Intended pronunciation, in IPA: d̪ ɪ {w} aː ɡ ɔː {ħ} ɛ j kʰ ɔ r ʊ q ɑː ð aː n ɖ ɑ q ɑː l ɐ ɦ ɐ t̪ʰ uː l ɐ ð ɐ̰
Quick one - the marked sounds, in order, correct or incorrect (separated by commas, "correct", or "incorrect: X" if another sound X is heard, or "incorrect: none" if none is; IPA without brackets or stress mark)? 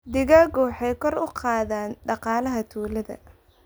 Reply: incorrect: ɣ, correct